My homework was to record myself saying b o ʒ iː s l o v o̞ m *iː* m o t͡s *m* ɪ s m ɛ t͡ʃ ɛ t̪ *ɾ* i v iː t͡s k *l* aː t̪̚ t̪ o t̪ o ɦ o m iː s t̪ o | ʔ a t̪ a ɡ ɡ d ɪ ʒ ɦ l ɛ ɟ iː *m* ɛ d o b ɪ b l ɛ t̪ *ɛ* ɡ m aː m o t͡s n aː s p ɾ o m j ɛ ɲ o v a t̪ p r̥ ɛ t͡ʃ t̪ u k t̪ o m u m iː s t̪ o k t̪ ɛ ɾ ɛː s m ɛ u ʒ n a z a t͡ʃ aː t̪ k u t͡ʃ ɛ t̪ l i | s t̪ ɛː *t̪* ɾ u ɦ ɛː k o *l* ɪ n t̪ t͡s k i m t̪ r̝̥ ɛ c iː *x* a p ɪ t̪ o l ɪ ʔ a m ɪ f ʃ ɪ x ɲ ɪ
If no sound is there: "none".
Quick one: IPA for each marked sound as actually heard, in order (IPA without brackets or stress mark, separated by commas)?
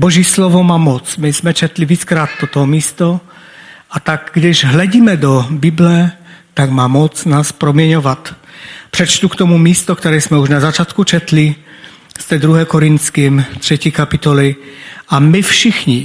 aː, m, l, ɾ, m, a, d̪, ɾ, k